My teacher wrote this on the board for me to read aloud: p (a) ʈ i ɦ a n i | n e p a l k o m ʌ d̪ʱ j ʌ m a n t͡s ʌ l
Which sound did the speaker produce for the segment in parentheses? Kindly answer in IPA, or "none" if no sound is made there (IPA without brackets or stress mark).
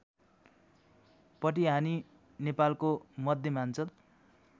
ʌ